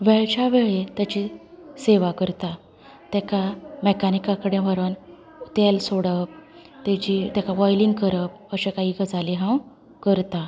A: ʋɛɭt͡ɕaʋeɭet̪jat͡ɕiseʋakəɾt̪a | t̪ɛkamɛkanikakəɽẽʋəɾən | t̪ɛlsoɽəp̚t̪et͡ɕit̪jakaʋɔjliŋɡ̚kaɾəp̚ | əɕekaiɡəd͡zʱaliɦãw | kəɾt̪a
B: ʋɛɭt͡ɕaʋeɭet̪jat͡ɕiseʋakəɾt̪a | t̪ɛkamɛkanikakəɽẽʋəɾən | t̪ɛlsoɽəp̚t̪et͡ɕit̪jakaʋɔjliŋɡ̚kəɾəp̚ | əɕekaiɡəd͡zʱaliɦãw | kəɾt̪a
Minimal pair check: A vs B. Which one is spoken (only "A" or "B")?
B